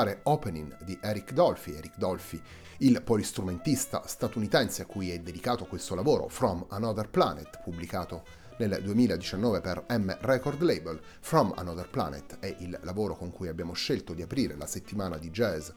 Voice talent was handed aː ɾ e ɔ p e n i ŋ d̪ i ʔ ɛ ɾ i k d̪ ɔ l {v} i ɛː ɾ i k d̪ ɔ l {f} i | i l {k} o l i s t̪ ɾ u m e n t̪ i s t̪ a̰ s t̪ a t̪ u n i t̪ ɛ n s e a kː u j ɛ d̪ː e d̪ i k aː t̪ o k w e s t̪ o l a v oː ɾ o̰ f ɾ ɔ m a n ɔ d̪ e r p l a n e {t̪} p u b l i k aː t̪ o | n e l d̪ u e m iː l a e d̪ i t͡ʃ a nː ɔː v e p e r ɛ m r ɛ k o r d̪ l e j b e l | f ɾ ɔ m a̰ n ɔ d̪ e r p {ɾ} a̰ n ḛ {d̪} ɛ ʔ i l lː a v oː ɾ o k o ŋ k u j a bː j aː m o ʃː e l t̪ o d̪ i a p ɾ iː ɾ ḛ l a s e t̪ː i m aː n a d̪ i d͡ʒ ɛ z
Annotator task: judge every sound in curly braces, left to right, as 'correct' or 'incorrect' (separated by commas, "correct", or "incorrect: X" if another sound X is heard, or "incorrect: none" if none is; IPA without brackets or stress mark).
incorrect: f, correct, incorrect: p, correct, incorrect: l, incorrect: t̪